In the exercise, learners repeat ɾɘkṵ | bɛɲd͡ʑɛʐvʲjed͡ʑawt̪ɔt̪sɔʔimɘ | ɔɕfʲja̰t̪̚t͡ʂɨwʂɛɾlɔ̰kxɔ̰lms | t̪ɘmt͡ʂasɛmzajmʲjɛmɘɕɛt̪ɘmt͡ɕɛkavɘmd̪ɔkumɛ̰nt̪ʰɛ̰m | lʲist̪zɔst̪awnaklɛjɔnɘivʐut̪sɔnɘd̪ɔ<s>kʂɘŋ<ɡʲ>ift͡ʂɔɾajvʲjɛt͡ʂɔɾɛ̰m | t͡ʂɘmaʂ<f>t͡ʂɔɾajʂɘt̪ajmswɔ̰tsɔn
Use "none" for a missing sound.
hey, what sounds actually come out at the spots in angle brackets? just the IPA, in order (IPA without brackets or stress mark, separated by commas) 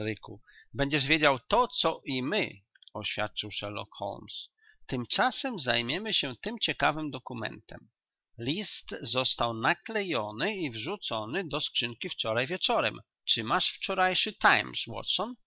s, kʲ, f